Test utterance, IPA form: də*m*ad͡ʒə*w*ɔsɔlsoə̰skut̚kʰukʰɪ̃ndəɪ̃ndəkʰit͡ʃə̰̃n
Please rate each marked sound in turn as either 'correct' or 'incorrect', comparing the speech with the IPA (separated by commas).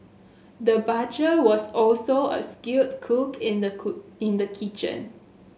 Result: incorrect, correct